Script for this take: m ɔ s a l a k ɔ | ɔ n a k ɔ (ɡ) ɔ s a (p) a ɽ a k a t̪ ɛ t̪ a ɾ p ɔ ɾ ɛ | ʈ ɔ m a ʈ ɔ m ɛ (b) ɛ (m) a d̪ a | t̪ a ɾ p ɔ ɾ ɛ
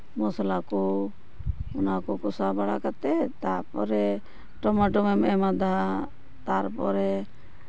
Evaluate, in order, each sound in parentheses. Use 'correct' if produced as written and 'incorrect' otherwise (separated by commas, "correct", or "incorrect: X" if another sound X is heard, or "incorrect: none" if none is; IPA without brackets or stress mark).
incorrect: k, incorrect: b, incorrect: m, correct